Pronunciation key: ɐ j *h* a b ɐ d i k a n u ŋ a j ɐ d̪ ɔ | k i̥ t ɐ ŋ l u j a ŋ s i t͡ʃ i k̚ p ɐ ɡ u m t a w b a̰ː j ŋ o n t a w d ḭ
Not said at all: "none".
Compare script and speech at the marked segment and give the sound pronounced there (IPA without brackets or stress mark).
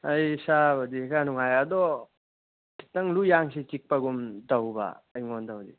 s